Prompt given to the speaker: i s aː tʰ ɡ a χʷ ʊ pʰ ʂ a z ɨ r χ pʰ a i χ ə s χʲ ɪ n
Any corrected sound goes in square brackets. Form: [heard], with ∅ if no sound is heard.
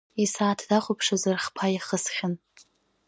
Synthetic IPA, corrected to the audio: i s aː tʰ [d] a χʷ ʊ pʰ ʂ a z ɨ r χ pʰ a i χ ə s χʲ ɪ n